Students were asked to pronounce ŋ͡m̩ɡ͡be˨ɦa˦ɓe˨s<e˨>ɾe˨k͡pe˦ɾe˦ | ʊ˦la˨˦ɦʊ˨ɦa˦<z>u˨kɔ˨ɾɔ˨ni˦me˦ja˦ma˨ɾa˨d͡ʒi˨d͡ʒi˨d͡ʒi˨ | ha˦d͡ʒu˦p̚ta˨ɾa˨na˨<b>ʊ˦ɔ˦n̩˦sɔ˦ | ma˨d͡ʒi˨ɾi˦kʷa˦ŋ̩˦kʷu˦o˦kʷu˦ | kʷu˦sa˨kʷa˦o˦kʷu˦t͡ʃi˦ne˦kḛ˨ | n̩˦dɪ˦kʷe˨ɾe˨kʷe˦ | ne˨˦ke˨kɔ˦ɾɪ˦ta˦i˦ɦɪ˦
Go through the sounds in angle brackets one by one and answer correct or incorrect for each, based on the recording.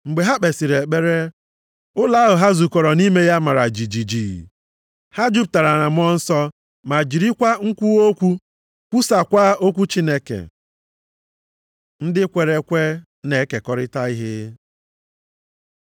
incorrect: i˨, correct, incorrect: m

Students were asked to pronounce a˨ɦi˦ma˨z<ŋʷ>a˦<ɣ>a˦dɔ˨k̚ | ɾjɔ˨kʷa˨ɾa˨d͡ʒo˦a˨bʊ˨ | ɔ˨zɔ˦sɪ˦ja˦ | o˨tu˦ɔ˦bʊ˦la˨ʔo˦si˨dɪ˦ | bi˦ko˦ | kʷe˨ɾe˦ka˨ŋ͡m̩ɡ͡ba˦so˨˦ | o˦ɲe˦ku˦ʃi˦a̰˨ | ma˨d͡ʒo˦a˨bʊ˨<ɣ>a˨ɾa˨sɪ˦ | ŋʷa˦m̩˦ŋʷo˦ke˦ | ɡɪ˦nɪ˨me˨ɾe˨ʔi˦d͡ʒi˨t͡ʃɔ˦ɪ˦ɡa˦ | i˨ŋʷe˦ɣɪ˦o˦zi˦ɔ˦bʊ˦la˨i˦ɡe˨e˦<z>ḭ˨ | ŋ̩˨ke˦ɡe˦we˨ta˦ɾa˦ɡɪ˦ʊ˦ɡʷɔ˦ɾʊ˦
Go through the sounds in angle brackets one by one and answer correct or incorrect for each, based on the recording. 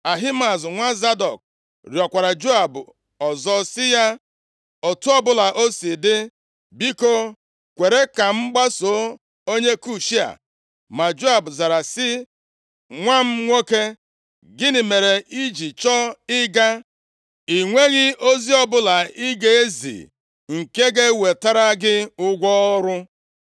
correct, incorrect: z, incorrect: z, correct

